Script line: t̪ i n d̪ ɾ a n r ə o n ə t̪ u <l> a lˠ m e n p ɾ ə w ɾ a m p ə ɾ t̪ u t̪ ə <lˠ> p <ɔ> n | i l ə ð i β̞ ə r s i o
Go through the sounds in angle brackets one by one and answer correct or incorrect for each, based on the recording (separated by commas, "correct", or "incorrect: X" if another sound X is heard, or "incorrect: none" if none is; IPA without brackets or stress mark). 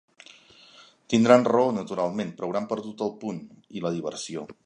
incorrect: ɾ, correct, incorrect: u